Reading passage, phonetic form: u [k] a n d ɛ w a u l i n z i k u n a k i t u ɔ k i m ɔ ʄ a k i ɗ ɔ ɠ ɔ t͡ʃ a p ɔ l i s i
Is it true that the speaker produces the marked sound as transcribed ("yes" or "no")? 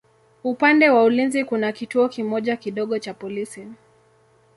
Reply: no